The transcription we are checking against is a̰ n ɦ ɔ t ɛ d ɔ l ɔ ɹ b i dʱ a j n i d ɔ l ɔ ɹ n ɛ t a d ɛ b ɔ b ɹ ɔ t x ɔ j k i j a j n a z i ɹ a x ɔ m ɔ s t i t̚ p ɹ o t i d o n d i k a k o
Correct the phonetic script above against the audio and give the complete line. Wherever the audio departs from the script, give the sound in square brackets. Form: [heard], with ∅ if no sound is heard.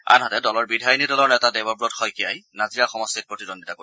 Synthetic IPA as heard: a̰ n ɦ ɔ t ɛ d ɔ l ɔ ɹ b i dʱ a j n i d ɔ l ɔ ɹ n ɛ t a d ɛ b ɔ b ɹ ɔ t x ɔ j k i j a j n a z i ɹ a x ɔ m ɔ s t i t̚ p ɹ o t i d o n d i [t] a k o